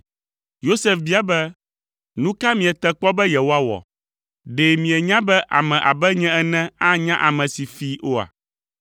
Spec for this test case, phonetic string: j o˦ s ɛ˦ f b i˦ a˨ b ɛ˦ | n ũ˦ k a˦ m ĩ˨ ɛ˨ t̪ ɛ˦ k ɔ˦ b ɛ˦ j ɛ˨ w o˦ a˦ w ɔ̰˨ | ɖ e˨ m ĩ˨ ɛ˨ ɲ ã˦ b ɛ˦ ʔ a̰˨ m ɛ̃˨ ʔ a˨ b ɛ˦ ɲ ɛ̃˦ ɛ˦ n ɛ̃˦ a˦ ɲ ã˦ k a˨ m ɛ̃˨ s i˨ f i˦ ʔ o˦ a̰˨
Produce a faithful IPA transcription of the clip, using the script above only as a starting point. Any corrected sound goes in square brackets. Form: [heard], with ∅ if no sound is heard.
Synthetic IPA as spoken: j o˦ s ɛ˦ f b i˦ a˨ b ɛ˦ | n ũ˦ k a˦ m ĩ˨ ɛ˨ t̪ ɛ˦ [k͡p] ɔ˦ b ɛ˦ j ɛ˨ w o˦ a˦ w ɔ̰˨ | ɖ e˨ m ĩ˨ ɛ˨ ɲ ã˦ b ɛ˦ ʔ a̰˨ m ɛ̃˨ ʔ a˨ b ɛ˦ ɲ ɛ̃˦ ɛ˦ n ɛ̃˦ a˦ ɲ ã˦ [ʔ] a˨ m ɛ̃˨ s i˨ f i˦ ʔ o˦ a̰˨

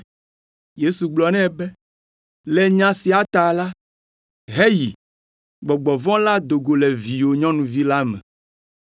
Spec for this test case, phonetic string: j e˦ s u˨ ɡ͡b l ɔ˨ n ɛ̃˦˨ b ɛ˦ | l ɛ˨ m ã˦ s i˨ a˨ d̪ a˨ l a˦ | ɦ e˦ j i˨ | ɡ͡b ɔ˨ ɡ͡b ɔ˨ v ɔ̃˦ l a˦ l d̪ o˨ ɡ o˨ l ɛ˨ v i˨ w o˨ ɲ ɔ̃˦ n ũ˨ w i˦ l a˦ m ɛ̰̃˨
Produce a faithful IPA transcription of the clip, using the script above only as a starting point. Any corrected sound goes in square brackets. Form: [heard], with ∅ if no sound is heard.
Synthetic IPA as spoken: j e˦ s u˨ ɡ͡b l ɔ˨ n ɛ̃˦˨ b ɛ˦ | l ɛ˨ [ɲ] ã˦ s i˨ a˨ [t̪] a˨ l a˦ | ɦ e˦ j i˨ | ɡ͡b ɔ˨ ɡ͡b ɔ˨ v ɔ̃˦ l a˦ [∅] d̪ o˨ ɡ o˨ l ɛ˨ v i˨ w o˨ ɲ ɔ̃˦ n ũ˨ [v] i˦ l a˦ m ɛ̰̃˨

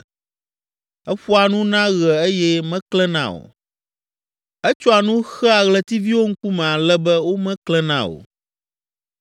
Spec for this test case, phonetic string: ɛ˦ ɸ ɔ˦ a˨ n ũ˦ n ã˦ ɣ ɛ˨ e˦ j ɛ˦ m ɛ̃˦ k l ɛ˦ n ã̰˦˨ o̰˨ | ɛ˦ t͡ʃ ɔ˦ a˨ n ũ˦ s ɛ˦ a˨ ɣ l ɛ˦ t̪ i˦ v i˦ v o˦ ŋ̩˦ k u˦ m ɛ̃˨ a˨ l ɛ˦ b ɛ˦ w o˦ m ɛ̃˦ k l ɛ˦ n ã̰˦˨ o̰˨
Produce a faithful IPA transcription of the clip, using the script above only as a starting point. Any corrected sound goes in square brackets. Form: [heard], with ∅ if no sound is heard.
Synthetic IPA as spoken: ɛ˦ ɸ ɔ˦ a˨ n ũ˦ n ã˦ ɣ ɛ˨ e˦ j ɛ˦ m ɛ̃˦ k l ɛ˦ n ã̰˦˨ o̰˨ | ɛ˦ t͡ʃ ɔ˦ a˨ n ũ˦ [x] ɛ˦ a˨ ɣ l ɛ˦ t̪ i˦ v i˦ [w] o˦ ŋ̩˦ k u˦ m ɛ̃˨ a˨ l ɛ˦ b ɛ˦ w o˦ m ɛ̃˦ k l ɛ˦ n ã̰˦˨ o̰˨

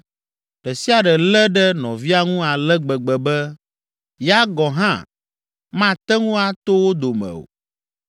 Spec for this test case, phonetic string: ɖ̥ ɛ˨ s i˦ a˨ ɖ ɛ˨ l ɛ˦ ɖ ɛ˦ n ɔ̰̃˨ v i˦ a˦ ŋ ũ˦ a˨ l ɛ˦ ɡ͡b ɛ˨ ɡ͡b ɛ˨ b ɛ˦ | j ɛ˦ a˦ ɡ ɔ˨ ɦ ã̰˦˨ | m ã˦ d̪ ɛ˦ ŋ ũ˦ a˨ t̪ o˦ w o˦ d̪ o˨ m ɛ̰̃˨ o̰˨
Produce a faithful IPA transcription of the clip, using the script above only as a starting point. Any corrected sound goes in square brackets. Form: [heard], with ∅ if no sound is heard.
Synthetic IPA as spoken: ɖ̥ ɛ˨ s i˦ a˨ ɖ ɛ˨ l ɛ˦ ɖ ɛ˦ n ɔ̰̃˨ v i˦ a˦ ŋ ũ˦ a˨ l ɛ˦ ɡ͡b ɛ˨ ɡ͡b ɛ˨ b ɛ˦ | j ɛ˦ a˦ ɡ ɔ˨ ɦ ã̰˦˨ | m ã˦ [t̪] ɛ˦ ŋ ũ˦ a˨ t̪ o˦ w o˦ d̪ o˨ m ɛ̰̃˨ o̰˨

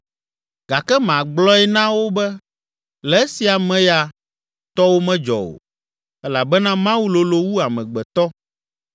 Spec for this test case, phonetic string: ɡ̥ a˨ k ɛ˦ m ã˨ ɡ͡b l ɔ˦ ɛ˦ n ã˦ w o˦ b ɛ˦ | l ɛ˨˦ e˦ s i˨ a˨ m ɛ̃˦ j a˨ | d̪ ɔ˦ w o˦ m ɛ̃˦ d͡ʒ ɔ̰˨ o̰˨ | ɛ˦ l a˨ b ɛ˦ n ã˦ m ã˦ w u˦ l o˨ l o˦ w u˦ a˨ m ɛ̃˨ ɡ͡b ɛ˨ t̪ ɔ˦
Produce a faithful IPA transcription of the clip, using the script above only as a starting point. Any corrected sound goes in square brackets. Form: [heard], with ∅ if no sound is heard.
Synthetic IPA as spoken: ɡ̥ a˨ k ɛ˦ m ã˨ ɡ͡b l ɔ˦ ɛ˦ n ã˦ w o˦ b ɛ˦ | l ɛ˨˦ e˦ s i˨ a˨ m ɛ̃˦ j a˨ | [t̪] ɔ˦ w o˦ m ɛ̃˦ d͡ʒ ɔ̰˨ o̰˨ | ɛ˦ l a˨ b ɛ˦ n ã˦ m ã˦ w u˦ l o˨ l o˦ w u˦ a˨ m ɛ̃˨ ɡ͡b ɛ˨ t̪ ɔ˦

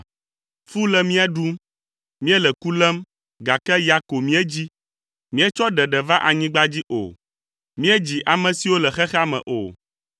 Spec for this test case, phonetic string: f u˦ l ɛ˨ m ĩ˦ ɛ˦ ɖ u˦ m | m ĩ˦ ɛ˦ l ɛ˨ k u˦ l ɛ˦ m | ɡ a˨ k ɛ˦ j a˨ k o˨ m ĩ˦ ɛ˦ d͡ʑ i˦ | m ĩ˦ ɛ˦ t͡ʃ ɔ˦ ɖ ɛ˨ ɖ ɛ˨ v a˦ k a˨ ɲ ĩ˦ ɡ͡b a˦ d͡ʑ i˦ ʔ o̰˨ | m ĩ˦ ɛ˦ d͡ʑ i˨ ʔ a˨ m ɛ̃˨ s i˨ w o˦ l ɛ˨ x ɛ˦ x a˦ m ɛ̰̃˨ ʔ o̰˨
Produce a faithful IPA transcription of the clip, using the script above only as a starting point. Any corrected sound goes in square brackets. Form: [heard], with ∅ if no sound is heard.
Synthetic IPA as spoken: f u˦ l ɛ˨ m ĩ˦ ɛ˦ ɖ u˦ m | m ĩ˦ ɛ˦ l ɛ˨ k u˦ l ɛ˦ m | ɡ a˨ k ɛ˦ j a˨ k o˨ m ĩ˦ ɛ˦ d͡ʑ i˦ | m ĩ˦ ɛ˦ t͡ʃ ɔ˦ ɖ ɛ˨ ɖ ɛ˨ v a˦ [ʔ] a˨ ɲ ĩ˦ ɡ͡b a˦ d͡ʑ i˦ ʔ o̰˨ | m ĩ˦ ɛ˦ d͡ʑ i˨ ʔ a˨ m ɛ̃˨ s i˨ w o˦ l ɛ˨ x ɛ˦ x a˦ m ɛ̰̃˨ ʔ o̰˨

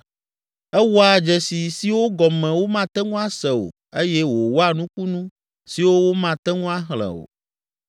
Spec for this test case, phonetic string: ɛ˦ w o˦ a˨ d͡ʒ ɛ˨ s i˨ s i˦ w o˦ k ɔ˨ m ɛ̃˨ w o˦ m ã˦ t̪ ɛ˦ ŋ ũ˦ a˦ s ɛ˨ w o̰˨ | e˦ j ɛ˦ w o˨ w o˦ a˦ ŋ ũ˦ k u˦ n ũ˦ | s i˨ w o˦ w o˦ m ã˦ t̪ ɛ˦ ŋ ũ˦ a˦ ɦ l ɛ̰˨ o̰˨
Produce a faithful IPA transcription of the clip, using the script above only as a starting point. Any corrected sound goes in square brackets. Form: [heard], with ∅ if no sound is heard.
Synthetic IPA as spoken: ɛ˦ w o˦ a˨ d͡ʒ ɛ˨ s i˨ s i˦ w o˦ [ɡ] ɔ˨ m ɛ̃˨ w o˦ m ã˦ t̪ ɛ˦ ŋ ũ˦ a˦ s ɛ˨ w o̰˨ | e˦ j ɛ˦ w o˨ w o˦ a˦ [n] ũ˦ k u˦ n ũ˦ | s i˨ w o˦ w o˦ m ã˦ t̪ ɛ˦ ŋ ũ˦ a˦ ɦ l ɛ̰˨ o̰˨

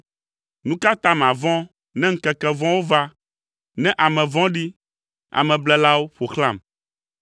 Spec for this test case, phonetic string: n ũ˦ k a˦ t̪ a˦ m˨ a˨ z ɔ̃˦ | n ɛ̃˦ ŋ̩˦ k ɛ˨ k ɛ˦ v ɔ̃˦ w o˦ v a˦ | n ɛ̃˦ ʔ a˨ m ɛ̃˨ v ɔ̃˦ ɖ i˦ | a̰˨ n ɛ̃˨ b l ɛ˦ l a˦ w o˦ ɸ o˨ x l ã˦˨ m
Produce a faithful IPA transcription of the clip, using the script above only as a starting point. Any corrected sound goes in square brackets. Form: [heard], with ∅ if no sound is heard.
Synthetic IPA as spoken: n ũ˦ k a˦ t̪ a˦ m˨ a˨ [v] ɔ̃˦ | n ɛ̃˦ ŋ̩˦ k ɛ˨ k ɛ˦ v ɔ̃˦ w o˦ v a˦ | n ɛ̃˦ ʔ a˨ m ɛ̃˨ v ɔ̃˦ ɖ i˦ | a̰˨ [m] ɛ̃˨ b l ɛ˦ l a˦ w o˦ ɸ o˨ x l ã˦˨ m

